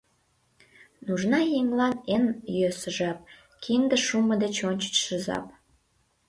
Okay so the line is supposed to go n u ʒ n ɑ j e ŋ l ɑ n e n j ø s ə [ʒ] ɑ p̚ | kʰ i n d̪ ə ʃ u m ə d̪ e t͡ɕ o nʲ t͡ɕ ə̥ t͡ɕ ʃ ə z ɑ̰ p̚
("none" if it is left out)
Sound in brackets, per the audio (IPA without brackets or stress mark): ʒ